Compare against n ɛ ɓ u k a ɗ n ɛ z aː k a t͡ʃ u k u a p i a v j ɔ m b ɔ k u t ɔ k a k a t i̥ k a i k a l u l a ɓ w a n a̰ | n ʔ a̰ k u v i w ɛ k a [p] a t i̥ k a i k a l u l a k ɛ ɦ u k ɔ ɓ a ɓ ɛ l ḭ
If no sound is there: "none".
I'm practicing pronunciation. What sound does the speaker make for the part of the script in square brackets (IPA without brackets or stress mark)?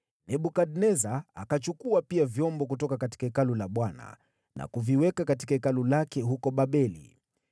k